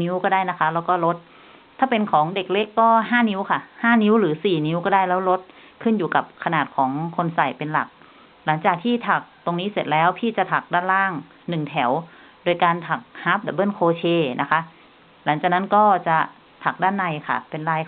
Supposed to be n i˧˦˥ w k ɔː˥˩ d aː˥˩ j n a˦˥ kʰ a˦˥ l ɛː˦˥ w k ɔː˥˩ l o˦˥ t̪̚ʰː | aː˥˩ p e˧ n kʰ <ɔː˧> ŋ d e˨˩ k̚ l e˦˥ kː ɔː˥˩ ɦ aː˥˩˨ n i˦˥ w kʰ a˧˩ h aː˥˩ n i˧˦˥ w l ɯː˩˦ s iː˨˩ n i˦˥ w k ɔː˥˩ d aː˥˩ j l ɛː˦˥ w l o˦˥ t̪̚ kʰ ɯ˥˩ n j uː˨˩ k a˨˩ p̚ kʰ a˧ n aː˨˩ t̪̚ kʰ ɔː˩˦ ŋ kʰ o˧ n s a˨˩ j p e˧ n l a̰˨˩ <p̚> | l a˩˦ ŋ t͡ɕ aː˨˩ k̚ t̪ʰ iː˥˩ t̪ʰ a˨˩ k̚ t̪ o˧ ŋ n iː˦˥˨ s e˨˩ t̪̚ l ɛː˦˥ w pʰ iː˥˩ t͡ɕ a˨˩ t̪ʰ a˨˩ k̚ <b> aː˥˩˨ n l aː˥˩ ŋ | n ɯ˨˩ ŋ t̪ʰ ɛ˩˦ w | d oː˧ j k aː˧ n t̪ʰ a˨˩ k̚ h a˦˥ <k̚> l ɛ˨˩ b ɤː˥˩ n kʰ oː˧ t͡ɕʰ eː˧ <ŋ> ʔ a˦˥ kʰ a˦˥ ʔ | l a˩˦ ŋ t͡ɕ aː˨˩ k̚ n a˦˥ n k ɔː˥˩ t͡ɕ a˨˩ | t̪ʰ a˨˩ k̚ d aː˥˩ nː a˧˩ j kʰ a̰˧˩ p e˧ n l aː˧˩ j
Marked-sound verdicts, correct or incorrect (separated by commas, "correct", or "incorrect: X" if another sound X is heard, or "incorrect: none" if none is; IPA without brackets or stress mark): incorrect: ɔː˩˦, incorrect: k̚, incorrect: d, incorrect: p̚, incorrect: n